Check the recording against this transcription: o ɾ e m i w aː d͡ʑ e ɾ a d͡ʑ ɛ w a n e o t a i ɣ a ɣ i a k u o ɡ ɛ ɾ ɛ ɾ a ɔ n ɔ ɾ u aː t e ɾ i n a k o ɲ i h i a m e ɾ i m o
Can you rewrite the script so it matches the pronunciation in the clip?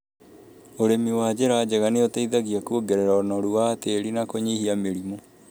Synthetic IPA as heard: o ɾ e m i w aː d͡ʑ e ɾ a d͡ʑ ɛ ɣ a n e o t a i ð a ɣ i a k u o ɡ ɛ ɾ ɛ ɾ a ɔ n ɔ ɾ u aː t e ɾ i n a k o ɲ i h i a m e ɾ i m o